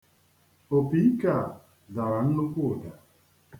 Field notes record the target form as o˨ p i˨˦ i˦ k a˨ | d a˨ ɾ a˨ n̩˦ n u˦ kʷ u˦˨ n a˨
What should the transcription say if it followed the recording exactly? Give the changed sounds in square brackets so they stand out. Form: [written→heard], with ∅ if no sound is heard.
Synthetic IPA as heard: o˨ p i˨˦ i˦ k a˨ | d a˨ ɾ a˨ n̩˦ n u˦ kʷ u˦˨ [n→d] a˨